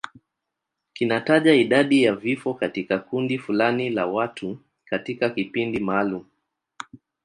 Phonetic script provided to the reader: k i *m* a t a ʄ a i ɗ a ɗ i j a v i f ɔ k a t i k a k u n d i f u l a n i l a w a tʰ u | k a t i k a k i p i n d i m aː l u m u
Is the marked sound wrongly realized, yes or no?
yes